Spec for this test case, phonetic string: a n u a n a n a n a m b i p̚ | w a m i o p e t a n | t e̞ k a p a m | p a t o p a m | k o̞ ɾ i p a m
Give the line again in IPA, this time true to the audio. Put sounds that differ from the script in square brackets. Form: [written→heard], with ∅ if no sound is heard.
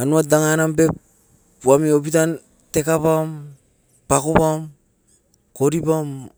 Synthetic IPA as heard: a n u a [n→d] a [n→ŋ] a n a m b [i→e] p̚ | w a m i o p [e→i] t a n | t e̞ k a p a m | p a [t→k] o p a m | k o̞ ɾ i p a m